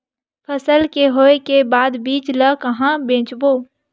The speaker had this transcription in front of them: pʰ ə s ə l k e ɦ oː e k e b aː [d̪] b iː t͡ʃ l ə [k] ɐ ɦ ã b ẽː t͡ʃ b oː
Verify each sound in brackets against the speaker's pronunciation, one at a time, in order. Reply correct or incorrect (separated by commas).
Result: correct, correct